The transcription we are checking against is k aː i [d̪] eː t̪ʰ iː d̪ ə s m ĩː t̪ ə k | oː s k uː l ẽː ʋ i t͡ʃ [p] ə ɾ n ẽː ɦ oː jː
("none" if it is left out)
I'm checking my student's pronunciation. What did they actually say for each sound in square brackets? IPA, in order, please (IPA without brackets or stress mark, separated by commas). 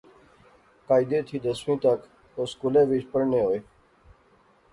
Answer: d̪, p